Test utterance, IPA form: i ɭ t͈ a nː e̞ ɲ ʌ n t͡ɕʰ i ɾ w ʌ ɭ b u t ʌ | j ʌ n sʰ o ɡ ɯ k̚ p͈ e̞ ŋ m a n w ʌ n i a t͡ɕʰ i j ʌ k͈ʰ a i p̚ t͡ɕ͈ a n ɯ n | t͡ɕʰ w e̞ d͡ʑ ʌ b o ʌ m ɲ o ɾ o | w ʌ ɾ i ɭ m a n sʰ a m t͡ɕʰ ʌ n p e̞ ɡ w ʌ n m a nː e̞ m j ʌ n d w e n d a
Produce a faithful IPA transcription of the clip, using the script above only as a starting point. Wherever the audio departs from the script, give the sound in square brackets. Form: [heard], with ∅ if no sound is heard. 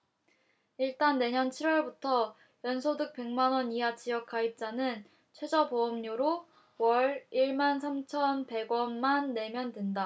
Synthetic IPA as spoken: i ɭ t͈ a nː e̞ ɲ ʌ n t͡ɕʰ i ɾ w ʌ ɭ b u [tʰ] ʌ | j ʌ n sʰ o [d] ɯ k̚ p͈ e̞ ŋ m a n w ʌ n i a [t͡ɕ] i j ʌ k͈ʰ a i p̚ t͡ɕ͈ a n ɯ n | t͡ɕʰ w e̞ d͡ʑ ʌ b o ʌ m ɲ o ɾ o | w ʌ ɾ i ɭ m a n sʰ a m t͡ɕʰ ʌ n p e̞ ɡ w ʌ n m a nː e̞ m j ʌ n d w e n d a